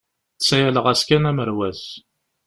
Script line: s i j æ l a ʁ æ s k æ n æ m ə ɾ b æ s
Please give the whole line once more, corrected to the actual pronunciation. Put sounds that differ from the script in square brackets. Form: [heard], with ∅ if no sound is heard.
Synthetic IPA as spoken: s [æ] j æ l [ə] ʁ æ s k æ n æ m ə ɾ [w] æ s